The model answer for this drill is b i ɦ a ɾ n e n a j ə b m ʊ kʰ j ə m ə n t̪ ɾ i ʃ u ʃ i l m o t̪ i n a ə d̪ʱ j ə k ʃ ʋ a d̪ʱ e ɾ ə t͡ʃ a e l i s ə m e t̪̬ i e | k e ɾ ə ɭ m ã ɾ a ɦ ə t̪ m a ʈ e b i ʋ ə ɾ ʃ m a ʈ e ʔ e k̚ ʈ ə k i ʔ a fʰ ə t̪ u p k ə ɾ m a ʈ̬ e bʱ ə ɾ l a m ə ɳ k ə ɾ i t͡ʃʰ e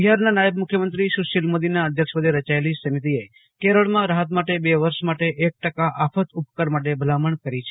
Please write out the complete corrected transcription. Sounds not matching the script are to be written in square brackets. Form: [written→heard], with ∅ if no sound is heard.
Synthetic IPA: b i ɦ a ɾ n [e→a] n a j ə b m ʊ kʰ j ə m ə n t̪ ɾ i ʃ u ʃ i l m o [t̪→d̪] i n a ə d̪ʱ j ə k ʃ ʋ [a→ə] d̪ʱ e ɾ ə t͡ʃ a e l i s ə m [e→i] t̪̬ i e | k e ɾ ə ɭ m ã ɾ a ɦ ə t̪ m a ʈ e b [i→e] ʋ ə ɾ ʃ m a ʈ e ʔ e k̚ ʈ ə k [i→a] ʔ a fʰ ə t̪ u p k ə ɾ m a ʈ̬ e bʱ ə [ɾ→∅] l a m ə ɳ k ə ɾ i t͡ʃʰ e